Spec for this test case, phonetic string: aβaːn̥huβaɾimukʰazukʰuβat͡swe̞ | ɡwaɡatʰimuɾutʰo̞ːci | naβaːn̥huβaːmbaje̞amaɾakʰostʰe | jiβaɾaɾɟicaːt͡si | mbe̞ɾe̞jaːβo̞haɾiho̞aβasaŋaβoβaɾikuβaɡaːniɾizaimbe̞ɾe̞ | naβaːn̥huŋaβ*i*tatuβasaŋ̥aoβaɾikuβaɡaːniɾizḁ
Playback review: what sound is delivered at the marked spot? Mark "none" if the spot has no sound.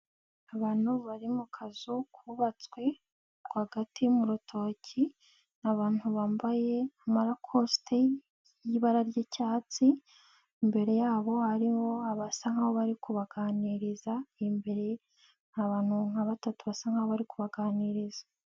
a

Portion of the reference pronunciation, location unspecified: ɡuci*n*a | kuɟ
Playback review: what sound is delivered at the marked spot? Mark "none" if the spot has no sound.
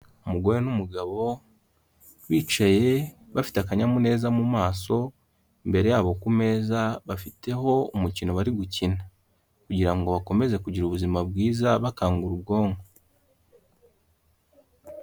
n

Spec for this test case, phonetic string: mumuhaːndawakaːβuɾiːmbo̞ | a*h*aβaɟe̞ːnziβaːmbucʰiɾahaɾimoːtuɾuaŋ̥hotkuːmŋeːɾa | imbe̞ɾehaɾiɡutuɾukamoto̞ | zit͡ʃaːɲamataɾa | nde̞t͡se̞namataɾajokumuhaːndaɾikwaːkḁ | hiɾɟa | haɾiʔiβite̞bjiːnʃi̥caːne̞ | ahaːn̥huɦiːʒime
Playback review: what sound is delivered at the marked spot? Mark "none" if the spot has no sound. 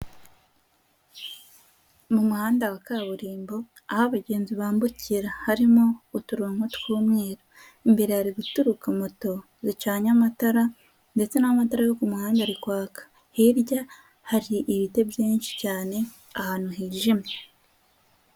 h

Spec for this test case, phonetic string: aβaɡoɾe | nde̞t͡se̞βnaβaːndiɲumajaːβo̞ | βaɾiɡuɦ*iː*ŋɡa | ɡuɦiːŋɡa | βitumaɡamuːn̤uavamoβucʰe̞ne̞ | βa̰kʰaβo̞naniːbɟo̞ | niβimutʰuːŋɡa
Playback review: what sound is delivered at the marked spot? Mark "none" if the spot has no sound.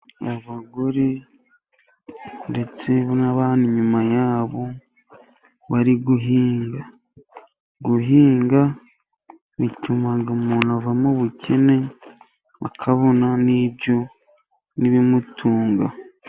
iː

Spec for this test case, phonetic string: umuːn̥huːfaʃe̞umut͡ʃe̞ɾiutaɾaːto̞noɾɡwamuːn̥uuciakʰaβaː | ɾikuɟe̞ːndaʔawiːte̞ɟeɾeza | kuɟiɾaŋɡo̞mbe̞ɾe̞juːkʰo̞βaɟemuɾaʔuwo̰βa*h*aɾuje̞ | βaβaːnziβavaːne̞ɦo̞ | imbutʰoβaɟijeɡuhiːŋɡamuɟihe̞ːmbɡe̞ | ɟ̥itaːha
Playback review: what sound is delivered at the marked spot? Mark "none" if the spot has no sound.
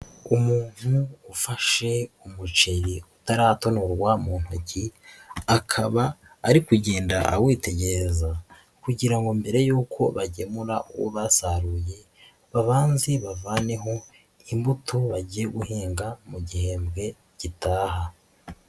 s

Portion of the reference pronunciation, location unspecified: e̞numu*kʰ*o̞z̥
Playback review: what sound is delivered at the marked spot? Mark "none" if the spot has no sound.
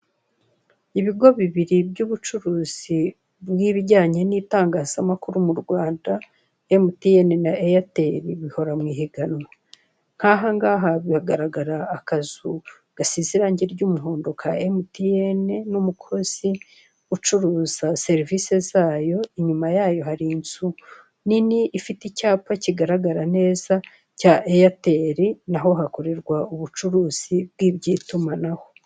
kʰ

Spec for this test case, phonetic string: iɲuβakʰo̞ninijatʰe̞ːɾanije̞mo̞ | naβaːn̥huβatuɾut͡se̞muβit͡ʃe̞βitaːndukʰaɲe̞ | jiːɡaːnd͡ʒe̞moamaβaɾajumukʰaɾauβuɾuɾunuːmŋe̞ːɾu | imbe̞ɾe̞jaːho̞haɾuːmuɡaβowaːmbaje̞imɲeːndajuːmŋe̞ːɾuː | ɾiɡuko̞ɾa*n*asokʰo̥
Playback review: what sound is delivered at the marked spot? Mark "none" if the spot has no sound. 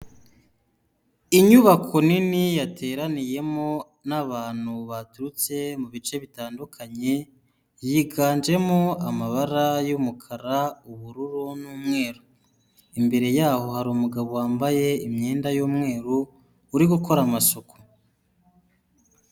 m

